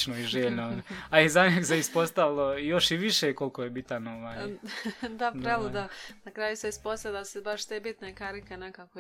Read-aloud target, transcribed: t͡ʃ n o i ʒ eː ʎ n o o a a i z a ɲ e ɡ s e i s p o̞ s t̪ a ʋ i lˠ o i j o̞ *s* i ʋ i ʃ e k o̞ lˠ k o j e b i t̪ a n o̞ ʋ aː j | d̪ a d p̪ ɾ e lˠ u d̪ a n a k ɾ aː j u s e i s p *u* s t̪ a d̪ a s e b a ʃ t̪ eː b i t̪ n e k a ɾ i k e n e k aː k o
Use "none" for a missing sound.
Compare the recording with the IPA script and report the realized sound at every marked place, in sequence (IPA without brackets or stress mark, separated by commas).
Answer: ʃ, o